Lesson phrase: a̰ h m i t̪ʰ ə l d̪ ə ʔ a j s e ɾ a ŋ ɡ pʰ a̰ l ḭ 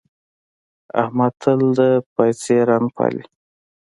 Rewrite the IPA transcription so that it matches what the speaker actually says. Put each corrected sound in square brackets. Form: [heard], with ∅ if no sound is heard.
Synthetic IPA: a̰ h m [a] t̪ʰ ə l d̪ ə [p] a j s e ɾ a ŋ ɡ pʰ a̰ l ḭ